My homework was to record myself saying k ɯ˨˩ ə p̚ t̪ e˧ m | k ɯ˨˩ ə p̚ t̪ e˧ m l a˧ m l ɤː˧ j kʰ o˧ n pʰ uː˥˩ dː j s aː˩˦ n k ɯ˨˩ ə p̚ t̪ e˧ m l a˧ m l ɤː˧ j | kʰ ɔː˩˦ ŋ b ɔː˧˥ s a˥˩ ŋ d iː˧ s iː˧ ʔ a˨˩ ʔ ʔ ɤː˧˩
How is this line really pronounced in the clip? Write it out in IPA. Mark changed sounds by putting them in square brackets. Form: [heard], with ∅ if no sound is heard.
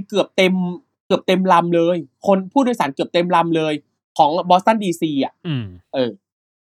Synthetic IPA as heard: k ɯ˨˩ ə p̚ t̪ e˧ m | k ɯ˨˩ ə p̚ t̪ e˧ m l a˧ m l ɤː˧ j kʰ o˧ n pʰ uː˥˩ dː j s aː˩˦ n k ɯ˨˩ ə p̚ t̪ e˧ m l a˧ m l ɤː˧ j | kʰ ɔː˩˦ ŋ b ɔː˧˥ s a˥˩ [n] d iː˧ s iː˧ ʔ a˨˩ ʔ ʔ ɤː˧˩